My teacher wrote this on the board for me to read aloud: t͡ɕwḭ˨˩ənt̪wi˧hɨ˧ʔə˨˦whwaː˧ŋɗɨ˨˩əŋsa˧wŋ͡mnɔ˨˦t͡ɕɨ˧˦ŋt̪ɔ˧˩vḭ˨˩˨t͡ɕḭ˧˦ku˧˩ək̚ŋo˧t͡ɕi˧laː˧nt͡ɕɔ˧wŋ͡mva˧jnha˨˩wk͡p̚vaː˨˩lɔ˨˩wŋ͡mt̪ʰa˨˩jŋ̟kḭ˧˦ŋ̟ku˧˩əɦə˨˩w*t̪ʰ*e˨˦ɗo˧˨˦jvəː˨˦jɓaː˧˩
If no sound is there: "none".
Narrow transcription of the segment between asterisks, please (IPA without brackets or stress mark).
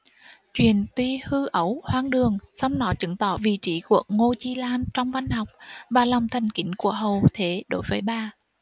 t̪ʰ